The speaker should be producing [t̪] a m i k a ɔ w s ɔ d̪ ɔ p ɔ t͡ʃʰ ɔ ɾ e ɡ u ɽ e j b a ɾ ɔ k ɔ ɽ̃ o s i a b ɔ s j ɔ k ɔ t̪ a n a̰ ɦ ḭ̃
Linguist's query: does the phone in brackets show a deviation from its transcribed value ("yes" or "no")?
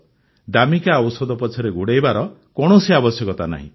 yes